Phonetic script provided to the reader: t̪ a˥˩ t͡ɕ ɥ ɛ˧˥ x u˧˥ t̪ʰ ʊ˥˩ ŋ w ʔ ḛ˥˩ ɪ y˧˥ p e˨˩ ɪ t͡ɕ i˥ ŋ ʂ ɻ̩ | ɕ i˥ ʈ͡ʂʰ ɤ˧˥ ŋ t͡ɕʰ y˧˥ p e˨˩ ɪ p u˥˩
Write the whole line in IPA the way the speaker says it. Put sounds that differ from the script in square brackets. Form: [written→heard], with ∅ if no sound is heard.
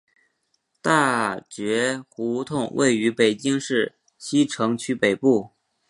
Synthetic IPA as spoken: t̪ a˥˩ t͡ɕ ɥ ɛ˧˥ x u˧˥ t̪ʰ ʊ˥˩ ŋ w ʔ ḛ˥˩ ɪ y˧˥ p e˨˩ ɪ t͡ɕ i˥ ŋ ʂ ɻ̩ | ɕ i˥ ʈ͡ʂʰ ɤ˧˥ ŋ t͡ɕʰ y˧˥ p e˨˩ ɪ p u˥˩